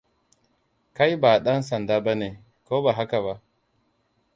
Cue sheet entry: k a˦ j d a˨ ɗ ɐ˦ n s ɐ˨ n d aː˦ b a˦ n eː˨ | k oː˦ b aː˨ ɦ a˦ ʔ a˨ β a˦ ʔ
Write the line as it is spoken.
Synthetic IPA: k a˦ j b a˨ ɗ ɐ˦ n s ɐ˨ n d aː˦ b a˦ n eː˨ | k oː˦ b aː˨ ɦ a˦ k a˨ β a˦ ʔ

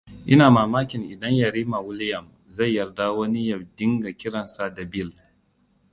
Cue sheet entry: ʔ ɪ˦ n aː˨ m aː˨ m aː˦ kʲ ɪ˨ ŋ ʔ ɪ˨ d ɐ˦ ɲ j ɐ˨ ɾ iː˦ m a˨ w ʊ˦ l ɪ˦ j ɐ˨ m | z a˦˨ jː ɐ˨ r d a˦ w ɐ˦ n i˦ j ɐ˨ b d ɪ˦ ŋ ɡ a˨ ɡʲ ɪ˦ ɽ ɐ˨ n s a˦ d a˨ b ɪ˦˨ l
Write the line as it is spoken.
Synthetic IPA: ʔ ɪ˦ n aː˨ m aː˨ m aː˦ kʲ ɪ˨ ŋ ʔ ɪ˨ d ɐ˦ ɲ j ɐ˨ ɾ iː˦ m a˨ w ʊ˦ l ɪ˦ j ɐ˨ m | z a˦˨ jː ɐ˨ r d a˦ w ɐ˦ n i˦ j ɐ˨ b d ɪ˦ ŋ ɡ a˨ kʲ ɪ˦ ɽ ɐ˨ n s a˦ d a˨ b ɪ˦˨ l

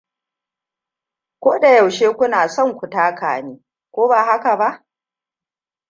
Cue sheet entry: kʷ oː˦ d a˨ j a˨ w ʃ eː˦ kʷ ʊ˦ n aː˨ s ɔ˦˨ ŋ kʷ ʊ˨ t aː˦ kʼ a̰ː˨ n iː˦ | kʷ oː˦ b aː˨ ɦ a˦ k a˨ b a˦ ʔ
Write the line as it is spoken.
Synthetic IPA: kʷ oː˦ d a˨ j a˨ w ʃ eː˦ kʷ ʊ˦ n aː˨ s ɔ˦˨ ŋ kʷ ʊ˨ t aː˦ k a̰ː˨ n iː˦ | kʷ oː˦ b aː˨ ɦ a˦ k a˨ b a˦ ʔ

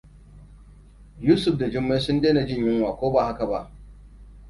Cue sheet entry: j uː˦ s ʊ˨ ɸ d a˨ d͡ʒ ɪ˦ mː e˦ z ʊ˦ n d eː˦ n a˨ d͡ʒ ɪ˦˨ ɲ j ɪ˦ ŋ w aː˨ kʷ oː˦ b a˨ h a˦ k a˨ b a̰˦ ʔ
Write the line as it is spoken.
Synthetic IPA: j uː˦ s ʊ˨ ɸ d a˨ d͡ʒ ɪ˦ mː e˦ s ʊ˦ n d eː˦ n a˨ d͡ʒ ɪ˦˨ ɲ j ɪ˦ ŋ w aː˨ kʷ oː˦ b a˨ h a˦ k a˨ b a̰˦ ʔ

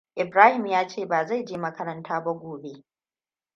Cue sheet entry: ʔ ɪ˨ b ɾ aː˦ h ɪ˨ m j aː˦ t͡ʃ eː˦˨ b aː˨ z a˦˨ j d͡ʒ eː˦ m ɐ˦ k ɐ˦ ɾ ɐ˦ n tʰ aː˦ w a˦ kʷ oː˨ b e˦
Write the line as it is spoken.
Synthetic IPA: ʔ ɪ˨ b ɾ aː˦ h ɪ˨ m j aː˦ t͡ʃ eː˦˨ b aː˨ z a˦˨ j d͡ʒ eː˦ m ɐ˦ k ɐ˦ ɾ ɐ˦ n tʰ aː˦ b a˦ ɡʷ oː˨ b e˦

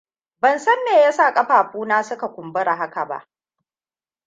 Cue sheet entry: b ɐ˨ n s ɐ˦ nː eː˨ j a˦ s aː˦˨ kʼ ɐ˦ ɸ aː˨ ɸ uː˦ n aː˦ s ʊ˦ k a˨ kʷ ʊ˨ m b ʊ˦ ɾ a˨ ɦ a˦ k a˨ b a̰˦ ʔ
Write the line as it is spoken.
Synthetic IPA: b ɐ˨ n s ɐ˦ nː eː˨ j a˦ s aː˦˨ kʼ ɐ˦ ɸ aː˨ ɸ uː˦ n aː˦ s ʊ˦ k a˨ kʷ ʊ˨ m b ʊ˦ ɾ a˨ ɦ a˦ k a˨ b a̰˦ ʔ

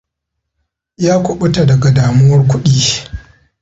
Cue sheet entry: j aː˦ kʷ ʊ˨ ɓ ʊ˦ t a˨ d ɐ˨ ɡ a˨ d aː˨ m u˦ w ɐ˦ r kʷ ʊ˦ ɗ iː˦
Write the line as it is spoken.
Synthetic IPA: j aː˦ kʷ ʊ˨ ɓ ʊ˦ t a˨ d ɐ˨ ɡ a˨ d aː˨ m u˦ w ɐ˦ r kʷ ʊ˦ ɗ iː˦

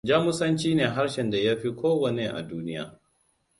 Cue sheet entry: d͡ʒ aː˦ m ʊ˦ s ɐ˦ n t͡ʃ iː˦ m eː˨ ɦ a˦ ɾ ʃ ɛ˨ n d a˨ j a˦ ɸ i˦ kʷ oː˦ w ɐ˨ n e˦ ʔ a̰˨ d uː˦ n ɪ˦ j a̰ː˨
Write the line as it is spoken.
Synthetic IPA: d͡ʒ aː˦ m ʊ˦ s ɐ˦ n t͡ʃ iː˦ n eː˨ ɦ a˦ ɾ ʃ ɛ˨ n d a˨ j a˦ ɸ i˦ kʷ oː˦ w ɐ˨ n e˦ ʔ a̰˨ d uː˦ n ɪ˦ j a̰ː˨

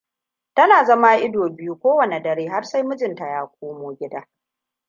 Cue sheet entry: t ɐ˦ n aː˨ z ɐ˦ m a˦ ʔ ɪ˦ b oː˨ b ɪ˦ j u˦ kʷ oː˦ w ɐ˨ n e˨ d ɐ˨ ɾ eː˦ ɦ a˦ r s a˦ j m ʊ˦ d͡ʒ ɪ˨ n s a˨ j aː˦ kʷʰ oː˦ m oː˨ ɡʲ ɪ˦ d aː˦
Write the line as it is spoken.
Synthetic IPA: t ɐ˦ n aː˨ z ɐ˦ m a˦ ʔ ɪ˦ d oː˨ b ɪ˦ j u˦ kʷ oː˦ w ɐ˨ n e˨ d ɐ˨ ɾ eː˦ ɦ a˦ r s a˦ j m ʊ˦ d͡ʒ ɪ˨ n t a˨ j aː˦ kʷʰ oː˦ m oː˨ ɡʲ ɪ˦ d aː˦

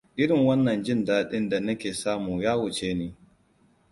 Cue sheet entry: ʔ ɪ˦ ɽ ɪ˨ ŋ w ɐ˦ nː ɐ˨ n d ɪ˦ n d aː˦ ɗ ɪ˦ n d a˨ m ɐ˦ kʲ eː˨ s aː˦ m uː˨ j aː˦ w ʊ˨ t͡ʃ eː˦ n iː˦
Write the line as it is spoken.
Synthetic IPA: ʔ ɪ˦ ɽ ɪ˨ ŋ w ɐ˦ nː ɐ˨ n d͡ʒ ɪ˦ n d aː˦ ɗ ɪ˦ n d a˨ n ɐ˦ kʲ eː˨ s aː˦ m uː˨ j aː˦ w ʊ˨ t͡ʃ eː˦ n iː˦

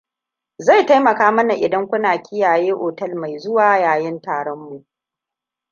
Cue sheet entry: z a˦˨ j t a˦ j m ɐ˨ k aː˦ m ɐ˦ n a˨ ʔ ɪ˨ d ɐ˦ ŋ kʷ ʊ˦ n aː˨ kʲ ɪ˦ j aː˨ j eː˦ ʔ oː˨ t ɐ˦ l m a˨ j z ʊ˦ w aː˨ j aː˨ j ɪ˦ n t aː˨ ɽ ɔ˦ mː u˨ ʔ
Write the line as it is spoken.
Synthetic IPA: z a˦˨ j t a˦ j m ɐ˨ k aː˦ m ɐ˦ n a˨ ʔ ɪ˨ d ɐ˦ ŋ kʷ ʊ˦ n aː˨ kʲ ɪ˦ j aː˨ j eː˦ ʔ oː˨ t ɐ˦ l m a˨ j z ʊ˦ w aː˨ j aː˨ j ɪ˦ n t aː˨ ɽ ɔ˦ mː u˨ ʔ

